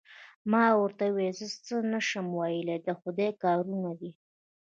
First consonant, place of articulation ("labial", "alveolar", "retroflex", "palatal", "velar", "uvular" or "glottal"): labial